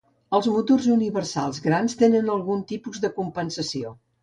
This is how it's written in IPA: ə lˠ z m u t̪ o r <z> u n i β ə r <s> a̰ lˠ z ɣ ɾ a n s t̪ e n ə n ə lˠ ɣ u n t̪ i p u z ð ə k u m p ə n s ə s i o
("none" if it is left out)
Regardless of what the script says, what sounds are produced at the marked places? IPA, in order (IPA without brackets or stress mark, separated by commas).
z, s